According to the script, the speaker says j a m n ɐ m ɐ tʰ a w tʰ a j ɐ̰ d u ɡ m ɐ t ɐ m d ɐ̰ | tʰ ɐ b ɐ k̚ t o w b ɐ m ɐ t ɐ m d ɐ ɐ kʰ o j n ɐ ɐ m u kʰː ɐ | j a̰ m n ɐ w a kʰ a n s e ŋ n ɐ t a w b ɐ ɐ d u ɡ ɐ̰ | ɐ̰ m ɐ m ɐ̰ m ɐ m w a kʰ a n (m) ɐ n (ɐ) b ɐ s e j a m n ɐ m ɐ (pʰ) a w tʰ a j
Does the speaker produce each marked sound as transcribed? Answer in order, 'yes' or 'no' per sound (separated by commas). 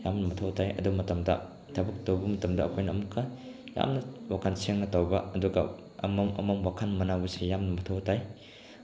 yes, no, no